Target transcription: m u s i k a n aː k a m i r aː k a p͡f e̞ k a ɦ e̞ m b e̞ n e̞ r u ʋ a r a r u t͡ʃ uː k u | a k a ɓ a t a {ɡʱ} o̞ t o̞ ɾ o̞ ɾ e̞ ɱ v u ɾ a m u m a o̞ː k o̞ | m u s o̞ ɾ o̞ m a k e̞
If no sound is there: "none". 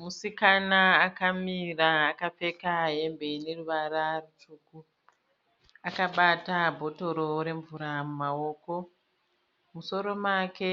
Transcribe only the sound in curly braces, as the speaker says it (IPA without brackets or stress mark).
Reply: bʱ